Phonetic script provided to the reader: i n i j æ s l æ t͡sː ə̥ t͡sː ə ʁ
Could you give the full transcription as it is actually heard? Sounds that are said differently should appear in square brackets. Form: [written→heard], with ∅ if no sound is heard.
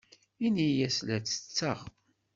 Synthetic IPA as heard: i n i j æ s l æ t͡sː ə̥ t͡sː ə ʁ